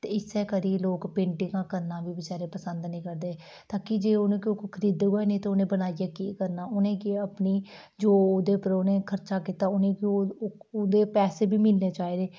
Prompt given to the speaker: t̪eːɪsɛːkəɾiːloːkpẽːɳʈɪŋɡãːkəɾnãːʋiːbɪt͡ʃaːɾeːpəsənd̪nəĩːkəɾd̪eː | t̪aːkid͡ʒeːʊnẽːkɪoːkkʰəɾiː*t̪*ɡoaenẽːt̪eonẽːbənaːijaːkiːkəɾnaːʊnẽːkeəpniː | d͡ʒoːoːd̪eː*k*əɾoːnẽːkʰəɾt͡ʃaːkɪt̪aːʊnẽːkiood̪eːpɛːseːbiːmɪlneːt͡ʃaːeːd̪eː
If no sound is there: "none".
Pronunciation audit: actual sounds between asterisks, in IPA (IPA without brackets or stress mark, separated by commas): d̪, p